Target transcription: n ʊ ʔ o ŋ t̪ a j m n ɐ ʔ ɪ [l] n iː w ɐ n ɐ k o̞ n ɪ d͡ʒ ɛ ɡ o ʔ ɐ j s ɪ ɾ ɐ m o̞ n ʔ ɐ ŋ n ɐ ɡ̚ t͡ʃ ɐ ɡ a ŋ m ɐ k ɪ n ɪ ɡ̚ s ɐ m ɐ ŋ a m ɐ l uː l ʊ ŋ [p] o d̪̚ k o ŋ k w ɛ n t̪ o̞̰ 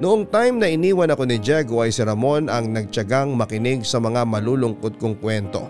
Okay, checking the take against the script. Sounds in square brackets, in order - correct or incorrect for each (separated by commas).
incorrect, incorrect